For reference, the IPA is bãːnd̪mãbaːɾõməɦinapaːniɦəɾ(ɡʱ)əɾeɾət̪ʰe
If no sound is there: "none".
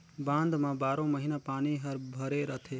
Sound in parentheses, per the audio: bʱ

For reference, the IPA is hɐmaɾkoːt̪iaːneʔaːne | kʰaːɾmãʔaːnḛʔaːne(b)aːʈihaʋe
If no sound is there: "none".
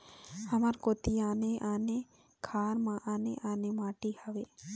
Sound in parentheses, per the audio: m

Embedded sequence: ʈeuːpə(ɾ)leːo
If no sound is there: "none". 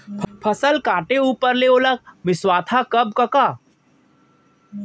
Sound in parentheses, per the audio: ɾ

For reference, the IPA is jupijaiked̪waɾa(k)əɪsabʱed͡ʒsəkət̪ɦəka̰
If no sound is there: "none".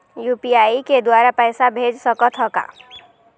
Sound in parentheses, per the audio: p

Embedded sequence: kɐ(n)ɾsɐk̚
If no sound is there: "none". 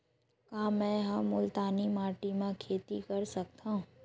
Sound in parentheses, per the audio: none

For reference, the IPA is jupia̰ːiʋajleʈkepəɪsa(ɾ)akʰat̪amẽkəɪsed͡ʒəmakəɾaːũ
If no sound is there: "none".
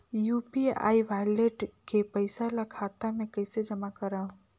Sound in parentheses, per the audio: l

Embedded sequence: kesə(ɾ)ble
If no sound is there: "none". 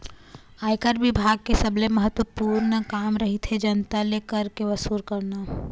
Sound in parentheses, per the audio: none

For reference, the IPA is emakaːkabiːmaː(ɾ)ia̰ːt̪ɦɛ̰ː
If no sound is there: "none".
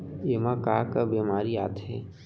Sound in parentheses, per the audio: ɾ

